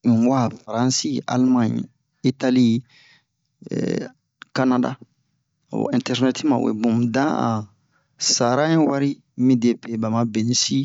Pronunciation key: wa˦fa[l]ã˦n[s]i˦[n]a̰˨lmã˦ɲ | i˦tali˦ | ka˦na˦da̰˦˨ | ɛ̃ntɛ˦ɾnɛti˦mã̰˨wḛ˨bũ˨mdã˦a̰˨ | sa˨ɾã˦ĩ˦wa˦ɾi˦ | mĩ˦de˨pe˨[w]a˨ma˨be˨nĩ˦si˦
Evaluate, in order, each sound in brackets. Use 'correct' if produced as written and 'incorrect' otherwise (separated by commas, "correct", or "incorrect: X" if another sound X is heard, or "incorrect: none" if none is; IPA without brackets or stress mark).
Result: incorrect: ɾ, correct, incorrect: none, incorrect: b